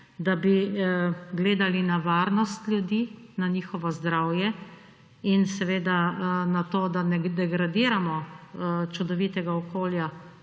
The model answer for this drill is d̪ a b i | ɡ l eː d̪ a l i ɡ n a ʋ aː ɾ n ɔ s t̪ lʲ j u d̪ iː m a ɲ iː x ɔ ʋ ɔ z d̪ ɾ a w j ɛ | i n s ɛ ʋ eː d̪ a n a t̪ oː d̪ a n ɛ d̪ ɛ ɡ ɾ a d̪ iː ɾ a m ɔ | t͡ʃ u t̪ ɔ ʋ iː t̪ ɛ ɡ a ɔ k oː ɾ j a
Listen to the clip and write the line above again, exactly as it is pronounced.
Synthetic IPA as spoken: d̪ a b i | ɡ l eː d̪ a l i n a ʋ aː ɾ n ɔ s t̪ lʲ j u d̪ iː n a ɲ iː x ɔ ʋ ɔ z d̪ ɾ a w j ɛ | i n s ɛ ʋ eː d̪ a n a t̪ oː d̪ a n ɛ d̪ ɛ ɡ ɾ a d̪ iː ɾ a m ɔ | t͡ʃ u d̪ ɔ ʋ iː t̪ ɛ ɡ a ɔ k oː l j a